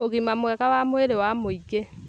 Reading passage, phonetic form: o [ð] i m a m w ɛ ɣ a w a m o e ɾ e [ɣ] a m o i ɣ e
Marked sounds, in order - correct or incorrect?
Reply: incorrect: ɣ, incorrect: w

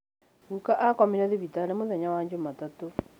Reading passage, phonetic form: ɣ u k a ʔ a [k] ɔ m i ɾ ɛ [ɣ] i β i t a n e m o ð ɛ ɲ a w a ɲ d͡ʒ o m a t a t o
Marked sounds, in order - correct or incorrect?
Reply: correct, incorrect: ð

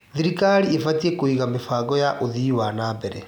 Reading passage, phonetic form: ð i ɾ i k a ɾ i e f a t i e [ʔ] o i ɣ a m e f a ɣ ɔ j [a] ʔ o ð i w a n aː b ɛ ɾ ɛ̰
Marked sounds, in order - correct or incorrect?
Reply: incorrect: k, correct

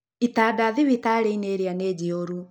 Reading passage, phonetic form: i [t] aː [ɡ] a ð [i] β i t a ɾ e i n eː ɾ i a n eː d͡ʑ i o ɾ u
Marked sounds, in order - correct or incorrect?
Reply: correct, incorrect: d, correct

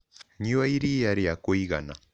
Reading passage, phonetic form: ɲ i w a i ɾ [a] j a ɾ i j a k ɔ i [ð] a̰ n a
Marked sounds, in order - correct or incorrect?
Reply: incorrect: i, incorrect: ɣ

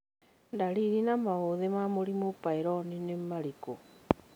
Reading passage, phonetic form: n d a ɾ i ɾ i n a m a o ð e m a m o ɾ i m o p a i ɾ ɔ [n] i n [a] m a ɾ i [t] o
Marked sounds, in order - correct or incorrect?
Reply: correct, incorrect: e, incorrect: k

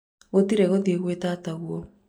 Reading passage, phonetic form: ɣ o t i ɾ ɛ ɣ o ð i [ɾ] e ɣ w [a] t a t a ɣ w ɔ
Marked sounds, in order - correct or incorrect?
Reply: incorrect: none, incorrect: e

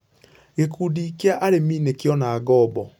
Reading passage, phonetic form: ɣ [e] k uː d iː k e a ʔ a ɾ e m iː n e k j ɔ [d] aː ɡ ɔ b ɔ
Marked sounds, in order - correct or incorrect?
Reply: correct, incorrect: n

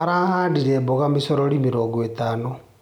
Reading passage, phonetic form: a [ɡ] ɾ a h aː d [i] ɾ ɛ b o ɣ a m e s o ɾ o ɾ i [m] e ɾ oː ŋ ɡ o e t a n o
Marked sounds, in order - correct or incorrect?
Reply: incorrect: none, correct, correct

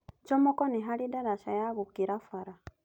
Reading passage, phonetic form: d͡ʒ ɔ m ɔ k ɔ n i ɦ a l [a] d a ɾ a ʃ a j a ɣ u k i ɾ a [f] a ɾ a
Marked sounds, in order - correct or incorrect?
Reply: incorrect: i, correct

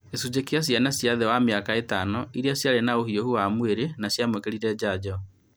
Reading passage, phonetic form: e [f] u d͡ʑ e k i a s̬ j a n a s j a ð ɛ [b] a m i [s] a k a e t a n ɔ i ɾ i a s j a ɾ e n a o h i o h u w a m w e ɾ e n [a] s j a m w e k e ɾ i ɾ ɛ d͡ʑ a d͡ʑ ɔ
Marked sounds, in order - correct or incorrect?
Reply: incorrect: s, incorrect: w, incorrect: none, correct

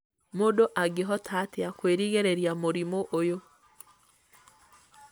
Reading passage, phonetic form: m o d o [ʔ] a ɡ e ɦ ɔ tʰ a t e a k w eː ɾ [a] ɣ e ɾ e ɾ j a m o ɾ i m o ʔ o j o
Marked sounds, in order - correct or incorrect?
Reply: correct, incorrect: i

